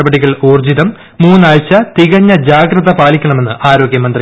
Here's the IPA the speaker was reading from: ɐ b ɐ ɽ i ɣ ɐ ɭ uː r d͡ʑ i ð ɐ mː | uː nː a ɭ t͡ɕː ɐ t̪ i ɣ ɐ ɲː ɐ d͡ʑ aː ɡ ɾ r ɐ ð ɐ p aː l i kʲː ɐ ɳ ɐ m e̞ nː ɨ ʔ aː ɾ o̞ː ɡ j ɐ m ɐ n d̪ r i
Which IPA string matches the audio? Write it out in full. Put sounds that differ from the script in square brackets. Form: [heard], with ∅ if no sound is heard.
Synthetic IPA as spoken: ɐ b ɐ ɽ i ɣ ɐ ɭ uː r d͡ʑ i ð ɐ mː | uː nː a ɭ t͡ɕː ɐ t̪ i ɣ ɐ ɲː ɐ d͡ʑ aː ɡ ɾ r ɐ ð ɐ p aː l i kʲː ɐ ɳ ɐ m e̞ nː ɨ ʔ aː ɾ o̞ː ɡ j ɐ m ɐ n d̪ r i